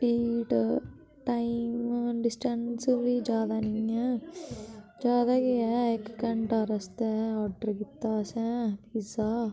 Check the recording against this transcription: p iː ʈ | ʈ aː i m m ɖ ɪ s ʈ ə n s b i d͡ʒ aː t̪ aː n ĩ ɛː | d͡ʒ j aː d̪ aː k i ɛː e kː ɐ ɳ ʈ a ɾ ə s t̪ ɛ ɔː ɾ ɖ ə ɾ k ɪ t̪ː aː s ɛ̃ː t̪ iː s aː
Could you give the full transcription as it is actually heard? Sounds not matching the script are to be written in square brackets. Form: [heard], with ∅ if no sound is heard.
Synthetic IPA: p iː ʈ | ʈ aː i m m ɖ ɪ s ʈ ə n s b i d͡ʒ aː [d̪] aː n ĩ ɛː | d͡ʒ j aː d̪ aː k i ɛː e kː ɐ ɳ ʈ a ɾ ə s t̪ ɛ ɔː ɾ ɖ ə ɾ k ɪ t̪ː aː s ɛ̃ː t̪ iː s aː